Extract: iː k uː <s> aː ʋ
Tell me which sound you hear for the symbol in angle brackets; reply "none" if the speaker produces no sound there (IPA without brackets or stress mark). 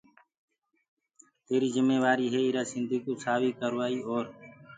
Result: s